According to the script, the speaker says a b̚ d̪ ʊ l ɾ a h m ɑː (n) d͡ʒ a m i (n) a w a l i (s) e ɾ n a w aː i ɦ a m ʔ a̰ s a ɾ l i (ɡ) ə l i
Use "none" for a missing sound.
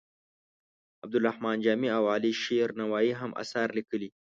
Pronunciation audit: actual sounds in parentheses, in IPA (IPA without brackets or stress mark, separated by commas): n, none, ʃ, k